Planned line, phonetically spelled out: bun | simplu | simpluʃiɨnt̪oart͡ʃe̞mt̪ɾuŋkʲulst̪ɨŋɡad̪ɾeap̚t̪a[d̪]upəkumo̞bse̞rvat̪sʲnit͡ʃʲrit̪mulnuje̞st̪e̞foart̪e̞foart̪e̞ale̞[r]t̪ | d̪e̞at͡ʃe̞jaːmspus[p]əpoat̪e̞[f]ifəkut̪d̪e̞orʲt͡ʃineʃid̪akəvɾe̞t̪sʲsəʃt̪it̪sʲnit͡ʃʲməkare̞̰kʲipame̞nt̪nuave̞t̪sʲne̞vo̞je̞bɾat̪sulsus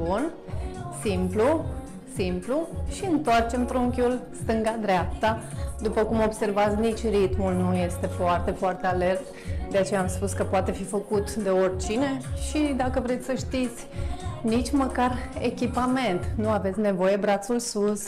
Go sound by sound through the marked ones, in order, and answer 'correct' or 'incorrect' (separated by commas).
correct, correct, incorrect, correct